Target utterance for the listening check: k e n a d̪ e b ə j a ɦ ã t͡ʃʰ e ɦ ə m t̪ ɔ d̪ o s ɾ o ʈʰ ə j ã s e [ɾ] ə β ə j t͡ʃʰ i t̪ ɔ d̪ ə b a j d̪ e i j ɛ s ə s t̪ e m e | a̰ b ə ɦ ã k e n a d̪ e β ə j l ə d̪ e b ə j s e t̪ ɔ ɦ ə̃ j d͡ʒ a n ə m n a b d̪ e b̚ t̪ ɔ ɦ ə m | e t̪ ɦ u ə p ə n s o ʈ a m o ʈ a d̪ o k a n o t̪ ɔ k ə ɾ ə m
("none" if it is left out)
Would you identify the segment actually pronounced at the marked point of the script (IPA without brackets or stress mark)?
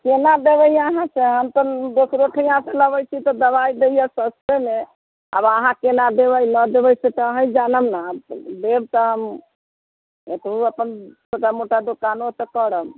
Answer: l